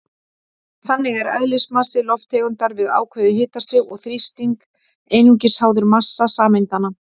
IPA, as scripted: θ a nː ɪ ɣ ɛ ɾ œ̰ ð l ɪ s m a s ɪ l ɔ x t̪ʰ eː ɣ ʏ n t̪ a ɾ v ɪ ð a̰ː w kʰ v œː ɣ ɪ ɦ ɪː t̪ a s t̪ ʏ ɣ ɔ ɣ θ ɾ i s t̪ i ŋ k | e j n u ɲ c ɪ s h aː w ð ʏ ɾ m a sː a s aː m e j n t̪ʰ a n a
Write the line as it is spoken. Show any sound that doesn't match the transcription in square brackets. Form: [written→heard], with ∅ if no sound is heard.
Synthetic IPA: θ a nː ɪ ɣ ɛ ɾ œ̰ ð l ɪ s m a s ɪ l ɔ [x→f] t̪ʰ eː ɣ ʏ n t̪ a ɾ v ɪ ð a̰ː w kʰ v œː [ɣ→ð] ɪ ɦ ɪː t̪ a s t̪ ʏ ɣ ɔ ɣ θ ɾ i s t̪ i ŋ k | e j n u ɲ c ɪ s h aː w ð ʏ ɾ m a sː a s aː m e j n [t̪ʰ→t̪] a n a